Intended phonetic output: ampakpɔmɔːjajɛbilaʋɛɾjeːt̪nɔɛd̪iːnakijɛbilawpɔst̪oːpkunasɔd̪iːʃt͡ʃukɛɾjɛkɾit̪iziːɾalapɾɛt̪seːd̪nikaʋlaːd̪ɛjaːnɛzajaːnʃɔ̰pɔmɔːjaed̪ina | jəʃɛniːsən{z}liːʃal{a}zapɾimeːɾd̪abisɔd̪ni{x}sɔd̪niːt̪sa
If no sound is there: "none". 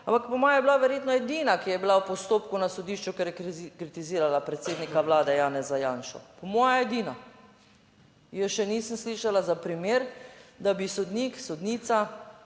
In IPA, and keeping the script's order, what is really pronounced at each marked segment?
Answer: s, a, k

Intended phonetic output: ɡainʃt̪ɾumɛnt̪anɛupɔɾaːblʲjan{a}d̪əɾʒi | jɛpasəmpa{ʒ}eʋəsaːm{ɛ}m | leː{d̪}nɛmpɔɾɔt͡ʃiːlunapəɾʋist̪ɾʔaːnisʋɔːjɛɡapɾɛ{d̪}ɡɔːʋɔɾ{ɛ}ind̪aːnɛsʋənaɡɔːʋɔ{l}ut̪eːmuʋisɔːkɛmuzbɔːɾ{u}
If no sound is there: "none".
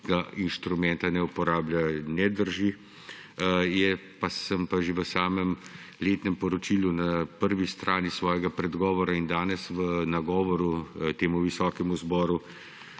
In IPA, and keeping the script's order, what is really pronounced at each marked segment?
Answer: ɛ, ʒ, ɛ, t̪, d̪, a, ɾ, u

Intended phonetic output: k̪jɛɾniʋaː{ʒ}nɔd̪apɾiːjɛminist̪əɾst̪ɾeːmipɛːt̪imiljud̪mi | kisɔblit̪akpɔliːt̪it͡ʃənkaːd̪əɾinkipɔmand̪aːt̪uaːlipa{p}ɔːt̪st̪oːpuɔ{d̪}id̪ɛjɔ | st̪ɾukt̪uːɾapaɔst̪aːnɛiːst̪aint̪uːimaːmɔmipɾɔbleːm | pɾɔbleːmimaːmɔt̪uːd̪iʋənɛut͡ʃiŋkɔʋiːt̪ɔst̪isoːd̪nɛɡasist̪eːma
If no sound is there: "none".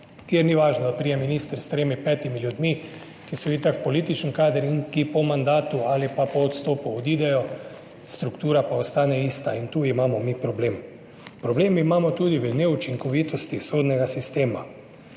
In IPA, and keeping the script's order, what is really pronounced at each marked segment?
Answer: ʒ, p, d̪

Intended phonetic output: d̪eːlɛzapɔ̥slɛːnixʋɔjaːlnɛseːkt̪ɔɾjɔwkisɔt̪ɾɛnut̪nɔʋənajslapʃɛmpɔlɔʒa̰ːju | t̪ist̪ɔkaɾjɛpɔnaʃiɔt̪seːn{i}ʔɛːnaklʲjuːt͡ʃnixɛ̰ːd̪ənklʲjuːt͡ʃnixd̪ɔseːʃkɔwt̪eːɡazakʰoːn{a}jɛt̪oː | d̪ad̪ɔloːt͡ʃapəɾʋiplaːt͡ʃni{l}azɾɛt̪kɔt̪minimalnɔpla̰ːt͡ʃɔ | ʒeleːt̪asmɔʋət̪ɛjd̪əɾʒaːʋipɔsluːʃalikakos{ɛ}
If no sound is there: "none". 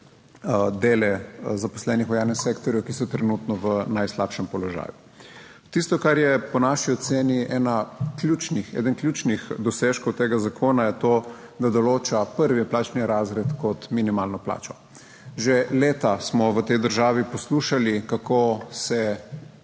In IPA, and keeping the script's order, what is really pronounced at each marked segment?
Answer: i, a, ɾ, ɛ

